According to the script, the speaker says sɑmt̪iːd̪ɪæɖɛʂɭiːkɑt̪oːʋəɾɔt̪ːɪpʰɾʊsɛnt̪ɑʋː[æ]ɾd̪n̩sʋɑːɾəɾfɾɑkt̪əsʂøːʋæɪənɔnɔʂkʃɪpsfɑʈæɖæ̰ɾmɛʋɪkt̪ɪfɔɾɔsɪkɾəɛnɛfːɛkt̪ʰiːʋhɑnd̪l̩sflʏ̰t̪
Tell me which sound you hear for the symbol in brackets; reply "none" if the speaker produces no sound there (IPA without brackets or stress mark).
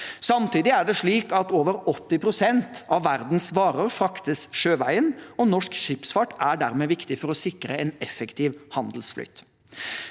æ